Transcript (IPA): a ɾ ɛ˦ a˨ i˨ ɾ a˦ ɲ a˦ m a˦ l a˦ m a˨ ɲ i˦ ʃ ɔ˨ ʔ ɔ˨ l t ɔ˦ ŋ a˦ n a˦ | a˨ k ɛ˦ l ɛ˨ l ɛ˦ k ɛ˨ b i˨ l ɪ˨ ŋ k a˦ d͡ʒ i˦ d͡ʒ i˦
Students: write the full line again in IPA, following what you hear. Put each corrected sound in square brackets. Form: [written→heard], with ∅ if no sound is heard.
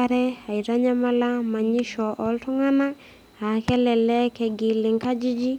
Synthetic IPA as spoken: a ɾ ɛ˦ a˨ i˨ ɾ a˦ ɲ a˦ m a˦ l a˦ m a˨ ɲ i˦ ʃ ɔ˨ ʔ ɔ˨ l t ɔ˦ ŋ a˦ n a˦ | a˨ k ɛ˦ l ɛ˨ l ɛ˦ k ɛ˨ [b→ɡ] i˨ l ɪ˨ ŋ k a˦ d͡ʒ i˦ d͡ʒ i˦